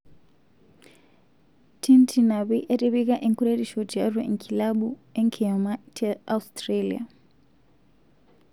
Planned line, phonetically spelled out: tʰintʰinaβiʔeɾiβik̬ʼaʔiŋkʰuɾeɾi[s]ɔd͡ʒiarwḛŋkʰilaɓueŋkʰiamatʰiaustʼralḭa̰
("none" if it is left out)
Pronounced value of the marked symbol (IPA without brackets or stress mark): ʃ